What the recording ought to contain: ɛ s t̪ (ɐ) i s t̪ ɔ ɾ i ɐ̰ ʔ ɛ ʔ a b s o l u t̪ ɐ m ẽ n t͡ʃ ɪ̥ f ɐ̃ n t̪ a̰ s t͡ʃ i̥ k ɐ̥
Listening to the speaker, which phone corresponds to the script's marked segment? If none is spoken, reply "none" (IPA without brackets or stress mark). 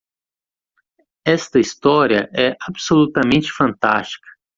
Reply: ɐ